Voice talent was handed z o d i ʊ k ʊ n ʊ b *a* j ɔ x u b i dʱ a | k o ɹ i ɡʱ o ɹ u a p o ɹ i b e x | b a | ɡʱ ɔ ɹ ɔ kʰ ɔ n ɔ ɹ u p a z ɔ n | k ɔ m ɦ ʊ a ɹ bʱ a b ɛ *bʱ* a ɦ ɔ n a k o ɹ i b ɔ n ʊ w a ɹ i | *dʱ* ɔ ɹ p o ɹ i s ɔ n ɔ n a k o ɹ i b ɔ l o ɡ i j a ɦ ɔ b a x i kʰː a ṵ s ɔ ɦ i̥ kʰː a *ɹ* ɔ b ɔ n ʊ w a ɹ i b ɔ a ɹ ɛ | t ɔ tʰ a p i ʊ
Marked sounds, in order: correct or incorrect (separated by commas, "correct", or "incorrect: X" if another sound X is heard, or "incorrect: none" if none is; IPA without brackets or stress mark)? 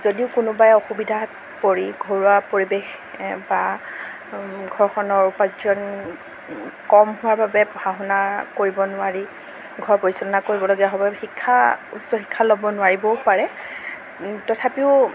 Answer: correct, correct, incorrect: ɡʱ, incorrect: l